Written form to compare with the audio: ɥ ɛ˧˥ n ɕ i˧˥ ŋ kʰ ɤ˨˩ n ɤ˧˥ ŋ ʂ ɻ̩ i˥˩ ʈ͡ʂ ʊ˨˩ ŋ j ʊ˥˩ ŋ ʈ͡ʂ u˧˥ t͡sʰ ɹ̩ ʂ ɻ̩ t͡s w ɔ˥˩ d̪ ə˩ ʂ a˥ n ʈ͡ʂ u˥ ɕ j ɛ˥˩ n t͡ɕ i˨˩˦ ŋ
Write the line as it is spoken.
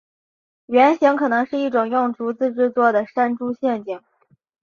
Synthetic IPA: ɥ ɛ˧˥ n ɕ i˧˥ ŋ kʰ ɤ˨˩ n ɤ˧˥ ŋ ʂ ɻ̩ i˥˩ ʈ͡ʂ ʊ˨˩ ŋ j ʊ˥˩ ŋ ʈ͡ʂ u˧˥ t͡s ɹ̩ ʈ͡ʂ ɻ̩ t͡s w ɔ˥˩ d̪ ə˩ ʂ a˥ n ʈ͡ʂ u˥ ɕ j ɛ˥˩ n t͡ɕ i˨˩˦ ŋ